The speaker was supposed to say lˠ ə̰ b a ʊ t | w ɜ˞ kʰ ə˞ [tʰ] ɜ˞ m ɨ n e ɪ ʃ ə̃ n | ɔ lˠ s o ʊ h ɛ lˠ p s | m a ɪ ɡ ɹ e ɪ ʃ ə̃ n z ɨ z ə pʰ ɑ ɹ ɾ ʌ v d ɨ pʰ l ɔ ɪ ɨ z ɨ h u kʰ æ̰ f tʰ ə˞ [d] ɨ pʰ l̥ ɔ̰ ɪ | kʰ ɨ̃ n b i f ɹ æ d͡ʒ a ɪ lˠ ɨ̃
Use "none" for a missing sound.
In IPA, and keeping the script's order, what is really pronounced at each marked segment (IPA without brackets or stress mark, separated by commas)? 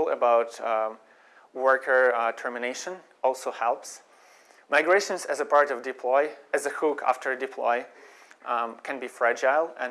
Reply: tʰ, d